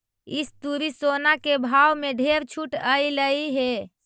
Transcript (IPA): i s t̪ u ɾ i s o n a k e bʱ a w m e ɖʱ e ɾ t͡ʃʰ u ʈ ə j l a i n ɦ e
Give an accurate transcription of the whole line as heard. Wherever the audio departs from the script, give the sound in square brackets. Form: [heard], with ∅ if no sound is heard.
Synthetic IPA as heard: i s t̪ u ɾ i s o n a k e bʱ a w m e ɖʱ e ɾ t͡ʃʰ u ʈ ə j l [ə] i [∅] ɦ e

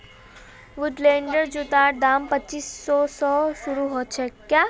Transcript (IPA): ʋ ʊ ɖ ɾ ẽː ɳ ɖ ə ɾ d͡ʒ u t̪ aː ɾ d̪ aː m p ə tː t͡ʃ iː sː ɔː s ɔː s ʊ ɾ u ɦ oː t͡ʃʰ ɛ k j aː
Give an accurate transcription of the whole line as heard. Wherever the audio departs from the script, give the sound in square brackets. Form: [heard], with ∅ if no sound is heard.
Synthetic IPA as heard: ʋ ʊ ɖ [l] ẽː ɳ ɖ ə ɾ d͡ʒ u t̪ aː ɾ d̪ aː m p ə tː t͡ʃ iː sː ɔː s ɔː s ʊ ɾ u ɦ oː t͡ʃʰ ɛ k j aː

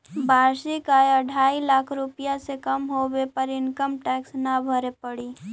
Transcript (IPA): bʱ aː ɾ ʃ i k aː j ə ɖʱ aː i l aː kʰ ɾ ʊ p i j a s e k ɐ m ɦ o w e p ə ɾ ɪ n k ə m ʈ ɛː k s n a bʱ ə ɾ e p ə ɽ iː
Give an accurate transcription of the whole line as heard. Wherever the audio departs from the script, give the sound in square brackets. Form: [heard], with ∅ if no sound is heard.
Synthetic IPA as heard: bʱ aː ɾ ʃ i k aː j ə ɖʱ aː i l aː kʰ ɾ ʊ p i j a s e k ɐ m ɦ o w e p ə ɾ ɪ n k ə m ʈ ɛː k s n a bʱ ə ɾ e p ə ɽ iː

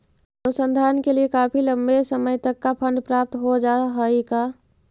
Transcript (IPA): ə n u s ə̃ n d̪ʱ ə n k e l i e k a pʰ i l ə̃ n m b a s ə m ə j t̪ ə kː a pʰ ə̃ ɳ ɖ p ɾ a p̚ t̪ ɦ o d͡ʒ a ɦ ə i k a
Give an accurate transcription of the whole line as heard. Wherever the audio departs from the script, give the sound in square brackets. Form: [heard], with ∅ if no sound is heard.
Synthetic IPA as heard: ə n u s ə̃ n d̪ʱ [a] n k e l i e k a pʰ i l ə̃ [∅] m b [e] s ə m ə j t̪ ə kː a pʰ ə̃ ɳ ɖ p ɾ a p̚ t̪ ɦ o d͡ʒ a ɦ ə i k a

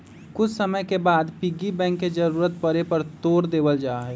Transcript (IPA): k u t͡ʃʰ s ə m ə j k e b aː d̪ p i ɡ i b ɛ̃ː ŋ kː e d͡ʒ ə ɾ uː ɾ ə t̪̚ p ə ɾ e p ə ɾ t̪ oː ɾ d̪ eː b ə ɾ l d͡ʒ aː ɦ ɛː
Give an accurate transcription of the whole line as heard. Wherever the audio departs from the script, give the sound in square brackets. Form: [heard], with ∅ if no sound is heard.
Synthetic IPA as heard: k [ʊ] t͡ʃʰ s ə m ə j k e b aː d̪ p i ɡ i b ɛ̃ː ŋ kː e d͡ʒ ə ɾ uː ɾ ə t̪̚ p ə ɾ e p ə ɾ t̪ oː ɾ d̪ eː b ə [∅] l d͡ʒ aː ɦ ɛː

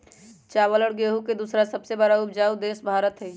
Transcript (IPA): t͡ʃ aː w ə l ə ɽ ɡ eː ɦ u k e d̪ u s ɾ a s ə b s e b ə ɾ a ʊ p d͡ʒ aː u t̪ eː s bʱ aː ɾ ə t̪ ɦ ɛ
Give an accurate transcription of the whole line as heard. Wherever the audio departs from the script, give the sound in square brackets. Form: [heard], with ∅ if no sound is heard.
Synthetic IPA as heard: t͡ʃ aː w ə l ə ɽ ɡ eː ɦ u k e d̪ u s ɾ a s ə b s e b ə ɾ a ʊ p d͡ʒ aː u [d̪] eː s bʱ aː ɾ ə t̪ ɦ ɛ

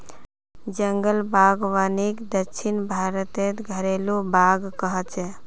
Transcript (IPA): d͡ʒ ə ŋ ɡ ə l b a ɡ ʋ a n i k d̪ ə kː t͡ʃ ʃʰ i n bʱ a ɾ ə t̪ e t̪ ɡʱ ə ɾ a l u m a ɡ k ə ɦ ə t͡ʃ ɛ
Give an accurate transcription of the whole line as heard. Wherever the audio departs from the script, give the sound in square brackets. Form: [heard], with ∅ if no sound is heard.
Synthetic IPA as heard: d͡ʒ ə ŋ ɡ ə l b a ɡ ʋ a n i k d̪ ə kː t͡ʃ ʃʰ i n bʱ a ɾ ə t̪ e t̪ ɡʱ ə ɾ [e] l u [b] a ɡ k ə ɦ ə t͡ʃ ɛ

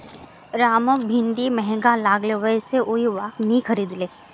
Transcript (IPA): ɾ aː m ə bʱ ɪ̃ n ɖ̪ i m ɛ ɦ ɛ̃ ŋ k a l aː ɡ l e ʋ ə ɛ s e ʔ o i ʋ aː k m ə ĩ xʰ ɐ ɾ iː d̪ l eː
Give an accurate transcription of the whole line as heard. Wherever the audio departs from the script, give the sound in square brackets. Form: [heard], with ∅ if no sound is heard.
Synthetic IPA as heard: ɾ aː m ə bʱ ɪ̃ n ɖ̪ i m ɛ ɦ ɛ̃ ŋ [ɡ] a l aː ɡ l e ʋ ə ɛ s e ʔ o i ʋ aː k [n] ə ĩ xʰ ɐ ɾ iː d̪ l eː

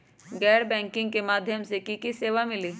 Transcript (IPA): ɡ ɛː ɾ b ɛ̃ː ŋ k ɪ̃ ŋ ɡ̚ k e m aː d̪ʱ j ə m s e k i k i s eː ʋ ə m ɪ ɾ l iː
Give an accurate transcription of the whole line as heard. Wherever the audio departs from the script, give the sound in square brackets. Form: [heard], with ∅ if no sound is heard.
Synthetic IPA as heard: ɡ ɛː ɾ b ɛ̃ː ŋ k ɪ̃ ŋ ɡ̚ k e m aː d̪ʱ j ə m s e k i k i s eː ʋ [a] m ɪ [∅] l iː

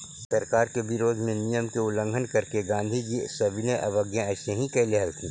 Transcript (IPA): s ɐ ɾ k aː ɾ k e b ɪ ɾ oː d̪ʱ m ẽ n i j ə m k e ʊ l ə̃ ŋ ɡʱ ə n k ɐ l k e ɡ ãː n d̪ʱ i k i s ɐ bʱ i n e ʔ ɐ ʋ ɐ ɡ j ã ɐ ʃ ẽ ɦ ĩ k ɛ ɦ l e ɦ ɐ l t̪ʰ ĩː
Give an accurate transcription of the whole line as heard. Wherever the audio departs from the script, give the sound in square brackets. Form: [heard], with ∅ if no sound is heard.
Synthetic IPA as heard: s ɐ ɾ k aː ɾ k e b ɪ ɾ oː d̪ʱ m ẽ n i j ə m k e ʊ l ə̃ ŋ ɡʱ ə n k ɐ [ɾ] k e ɡ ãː n d̪ʱ i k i s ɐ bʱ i n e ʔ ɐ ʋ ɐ ɡ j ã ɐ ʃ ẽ ɦ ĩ k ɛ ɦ l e ɦ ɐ l t̪ʰ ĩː

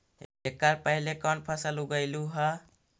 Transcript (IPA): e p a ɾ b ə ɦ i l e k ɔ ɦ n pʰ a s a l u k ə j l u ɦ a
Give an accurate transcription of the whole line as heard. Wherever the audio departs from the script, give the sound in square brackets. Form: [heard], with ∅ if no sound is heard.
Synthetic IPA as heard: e [k] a ɾ [p] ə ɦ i l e k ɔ [∅] n pʰ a s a l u [ɡ] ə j l u ɦ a

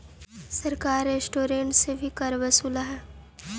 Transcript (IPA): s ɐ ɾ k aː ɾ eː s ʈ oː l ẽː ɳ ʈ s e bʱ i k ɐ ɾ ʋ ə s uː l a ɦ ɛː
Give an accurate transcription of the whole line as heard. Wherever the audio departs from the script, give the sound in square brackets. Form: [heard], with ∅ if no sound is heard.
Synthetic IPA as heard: s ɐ ɾ k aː ɾ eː s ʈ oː [ɾ] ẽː ɳ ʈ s e bʱ i k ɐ ɾ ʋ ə s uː l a ɦ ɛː

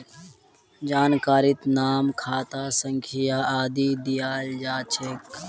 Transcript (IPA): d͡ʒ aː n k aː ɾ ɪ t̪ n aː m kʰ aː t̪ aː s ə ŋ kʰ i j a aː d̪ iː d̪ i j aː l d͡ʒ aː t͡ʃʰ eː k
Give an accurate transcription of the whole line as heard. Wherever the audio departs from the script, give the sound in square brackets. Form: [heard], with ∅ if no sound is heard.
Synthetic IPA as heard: d͡ʒ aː n k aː ɾ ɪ t̪ n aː m kʰ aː t̪ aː s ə ŋ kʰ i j a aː d̪ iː d̪ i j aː l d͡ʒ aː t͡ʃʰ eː k

